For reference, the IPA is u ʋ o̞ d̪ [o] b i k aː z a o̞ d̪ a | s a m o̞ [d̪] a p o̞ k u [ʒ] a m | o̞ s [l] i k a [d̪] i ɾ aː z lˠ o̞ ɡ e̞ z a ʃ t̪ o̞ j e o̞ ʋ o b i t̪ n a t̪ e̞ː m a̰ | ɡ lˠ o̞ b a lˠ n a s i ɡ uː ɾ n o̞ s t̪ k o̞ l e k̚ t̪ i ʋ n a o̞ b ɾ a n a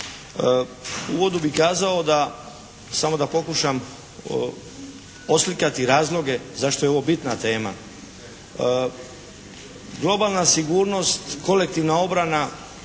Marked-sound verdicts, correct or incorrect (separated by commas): incorrect, correct, incorrect, correct, incorrect